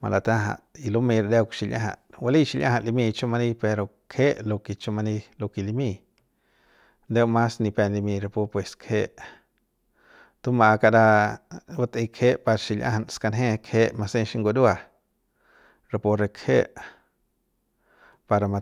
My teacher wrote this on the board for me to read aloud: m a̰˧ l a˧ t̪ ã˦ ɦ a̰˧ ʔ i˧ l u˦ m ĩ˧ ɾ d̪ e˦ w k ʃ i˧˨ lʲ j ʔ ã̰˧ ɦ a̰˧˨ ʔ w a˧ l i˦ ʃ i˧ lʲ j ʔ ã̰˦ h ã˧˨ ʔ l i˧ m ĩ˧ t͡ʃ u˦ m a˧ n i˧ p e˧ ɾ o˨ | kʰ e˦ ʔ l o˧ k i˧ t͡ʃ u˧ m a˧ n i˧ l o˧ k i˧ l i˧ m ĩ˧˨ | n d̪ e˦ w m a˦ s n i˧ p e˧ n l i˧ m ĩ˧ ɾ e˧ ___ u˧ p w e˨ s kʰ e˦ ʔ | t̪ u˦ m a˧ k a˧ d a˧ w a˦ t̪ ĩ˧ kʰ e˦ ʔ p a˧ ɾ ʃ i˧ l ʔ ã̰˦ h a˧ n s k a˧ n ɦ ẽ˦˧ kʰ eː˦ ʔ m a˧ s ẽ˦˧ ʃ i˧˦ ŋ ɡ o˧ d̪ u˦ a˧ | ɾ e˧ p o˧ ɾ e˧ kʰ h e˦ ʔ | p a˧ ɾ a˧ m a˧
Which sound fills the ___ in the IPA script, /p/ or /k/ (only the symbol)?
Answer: p